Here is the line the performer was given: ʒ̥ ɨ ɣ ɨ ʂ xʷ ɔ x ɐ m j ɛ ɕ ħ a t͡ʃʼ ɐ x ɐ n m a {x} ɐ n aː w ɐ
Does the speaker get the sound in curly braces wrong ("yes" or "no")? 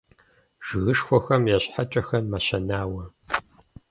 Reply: yes